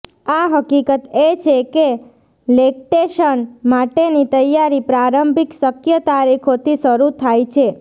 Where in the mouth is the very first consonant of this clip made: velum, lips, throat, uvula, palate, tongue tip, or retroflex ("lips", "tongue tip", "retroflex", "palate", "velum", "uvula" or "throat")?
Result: throat